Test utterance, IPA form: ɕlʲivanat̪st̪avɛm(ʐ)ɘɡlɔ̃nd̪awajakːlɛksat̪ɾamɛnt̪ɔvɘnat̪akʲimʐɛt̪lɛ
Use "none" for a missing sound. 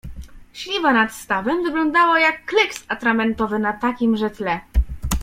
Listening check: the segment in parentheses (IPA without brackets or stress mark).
v